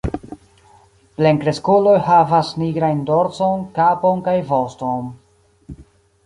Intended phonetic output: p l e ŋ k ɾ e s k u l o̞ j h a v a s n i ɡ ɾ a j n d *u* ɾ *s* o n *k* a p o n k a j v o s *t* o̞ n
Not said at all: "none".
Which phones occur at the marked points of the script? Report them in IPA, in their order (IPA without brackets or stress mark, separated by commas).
o, t͡s, k, t